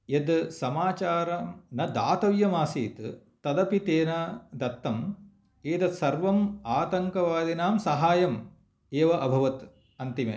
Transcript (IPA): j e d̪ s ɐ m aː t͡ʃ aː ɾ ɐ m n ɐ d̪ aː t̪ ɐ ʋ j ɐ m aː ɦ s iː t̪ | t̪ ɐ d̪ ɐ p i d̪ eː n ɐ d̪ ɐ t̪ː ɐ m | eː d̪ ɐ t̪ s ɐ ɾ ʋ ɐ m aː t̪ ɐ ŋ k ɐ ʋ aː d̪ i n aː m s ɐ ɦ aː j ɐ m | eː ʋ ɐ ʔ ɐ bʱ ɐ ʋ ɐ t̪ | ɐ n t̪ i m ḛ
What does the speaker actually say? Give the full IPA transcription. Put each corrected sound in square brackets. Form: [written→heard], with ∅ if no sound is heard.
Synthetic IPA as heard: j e d̪ s ɐ m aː t͡ʃ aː ɾ ɐ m n ɐ d̪ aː t̪ ɐ ʋ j ɐ m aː [ɦ→∅] s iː t̪ | t̪ ɐ d̪ ɐ p i [d̪→t̪] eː n ɐ d̪ ɐ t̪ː ɐ m | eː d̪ ɐ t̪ s ɐ ɾ ʋ ɐ m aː t̪ ɐ ŋ k ɐ ʋ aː d̪ i n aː m s ɐ ɦ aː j ɐ m | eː ʋ ɐ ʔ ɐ bʱ ɐ ʋ ɐ t̪ | ɐ n t̪ i m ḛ